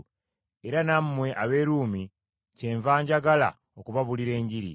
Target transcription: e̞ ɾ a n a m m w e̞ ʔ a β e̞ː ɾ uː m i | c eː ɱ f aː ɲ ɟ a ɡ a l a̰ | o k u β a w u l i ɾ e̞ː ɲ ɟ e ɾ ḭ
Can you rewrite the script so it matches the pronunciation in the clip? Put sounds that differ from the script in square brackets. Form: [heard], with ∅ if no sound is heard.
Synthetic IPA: e̞ ɾ a n a m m w e̞ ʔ a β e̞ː ɾ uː m i | c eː ɱ [v] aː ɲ ɟ a ɡ a l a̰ | o k u β a [β] u l i ɾ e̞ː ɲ ɟ [i] ɾ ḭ